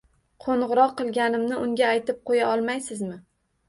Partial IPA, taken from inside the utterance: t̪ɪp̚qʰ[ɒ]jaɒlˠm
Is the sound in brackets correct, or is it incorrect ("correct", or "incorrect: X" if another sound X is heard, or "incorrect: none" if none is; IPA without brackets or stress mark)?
incorrect: o